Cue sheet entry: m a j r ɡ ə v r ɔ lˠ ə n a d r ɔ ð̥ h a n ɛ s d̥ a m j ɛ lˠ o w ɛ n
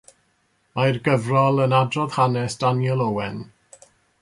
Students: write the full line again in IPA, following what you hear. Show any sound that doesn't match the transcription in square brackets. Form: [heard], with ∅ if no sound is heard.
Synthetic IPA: m a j r ɡ ə v r ɔ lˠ ə n a d r ɔ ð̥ h a n ɛ s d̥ a [n] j ɛ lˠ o w ɛ n